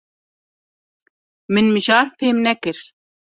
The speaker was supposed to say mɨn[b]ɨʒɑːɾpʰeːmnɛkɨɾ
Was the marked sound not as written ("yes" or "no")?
yes